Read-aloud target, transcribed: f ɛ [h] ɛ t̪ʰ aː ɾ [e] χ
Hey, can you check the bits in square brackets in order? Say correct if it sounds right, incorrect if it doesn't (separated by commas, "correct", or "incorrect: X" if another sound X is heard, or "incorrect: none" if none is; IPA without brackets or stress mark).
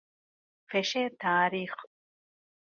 incorrect: ʃ, incorrect: i